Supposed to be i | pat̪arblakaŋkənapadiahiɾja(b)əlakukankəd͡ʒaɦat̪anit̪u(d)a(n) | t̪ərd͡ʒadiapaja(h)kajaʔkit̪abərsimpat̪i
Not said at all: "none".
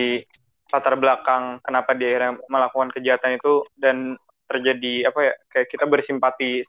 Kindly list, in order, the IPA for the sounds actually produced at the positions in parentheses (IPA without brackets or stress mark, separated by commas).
m, d, n, none